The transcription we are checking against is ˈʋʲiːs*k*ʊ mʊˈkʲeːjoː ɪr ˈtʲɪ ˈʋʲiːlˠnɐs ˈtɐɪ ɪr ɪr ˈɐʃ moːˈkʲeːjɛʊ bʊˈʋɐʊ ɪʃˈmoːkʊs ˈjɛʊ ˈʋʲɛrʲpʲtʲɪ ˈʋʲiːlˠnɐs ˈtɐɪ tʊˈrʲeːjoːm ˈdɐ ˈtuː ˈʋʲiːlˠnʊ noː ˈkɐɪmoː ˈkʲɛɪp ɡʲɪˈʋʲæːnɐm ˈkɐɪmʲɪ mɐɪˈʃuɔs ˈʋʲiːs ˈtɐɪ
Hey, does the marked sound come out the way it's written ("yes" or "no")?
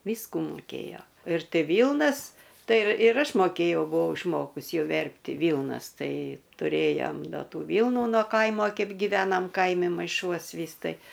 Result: yes